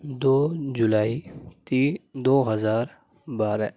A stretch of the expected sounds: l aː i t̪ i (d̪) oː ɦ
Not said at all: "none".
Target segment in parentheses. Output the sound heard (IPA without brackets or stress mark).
d̪